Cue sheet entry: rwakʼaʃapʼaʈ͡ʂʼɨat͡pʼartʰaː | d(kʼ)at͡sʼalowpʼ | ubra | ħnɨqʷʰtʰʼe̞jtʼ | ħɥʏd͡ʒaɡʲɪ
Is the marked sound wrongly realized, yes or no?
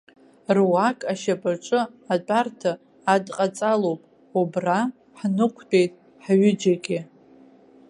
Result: yes